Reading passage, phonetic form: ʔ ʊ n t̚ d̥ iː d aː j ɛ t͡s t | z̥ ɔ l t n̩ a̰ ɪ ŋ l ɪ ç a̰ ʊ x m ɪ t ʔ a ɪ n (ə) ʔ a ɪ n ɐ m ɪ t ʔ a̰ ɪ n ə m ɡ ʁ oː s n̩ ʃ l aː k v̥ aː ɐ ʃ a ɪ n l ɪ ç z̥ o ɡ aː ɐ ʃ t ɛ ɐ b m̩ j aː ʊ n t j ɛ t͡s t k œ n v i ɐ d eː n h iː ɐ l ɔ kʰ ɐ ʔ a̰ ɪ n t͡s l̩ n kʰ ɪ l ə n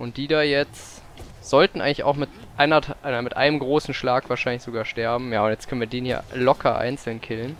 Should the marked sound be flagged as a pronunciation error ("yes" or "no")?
yes